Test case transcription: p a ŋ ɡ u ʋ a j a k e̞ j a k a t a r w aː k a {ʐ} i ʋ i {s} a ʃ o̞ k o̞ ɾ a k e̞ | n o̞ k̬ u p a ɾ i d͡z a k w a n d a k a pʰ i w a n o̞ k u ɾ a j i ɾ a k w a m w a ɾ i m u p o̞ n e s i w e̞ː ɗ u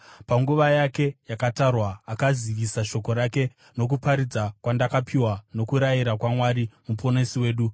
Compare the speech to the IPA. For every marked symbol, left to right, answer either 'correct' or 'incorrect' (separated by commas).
incorrect, correct